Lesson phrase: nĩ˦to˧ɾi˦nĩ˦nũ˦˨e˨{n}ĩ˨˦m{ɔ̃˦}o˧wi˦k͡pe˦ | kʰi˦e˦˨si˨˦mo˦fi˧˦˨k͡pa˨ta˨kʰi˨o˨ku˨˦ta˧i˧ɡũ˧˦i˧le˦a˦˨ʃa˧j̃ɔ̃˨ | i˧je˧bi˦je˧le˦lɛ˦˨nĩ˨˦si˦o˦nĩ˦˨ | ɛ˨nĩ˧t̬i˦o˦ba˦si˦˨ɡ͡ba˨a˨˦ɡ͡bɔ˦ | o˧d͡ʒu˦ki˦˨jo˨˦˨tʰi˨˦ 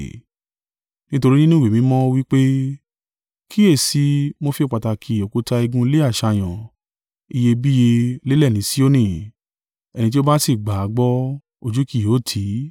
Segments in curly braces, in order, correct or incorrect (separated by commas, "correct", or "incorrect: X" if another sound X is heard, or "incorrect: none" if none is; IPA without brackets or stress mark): incorrect: m, correct